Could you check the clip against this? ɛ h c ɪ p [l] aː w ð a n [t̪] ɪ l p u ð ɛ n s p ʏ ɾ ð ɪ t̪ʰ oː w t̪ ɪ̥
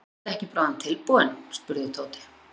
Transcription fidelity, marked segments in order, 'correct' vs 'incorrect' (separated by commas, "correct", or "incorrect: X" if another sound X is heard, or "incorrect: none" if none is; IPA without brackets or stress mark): incorrect: ɾ, incorrect: t̪ʰ